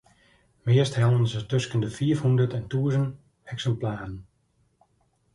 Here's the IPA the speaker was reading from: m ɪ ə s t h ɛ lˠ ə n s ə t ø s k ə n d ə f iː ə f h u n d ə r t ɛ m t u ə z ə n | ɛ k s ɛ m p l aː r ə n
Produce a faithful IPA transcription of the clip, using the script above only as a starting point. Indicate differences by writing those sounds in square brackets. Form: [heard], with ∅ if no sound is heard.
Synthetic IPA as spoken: m ɪ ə s t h ɛ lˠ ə n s ə t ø s k ə n d ə f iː ə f h u n d ə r t ɛ [n] t u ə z ə n | ɛ k s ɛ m p l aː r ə n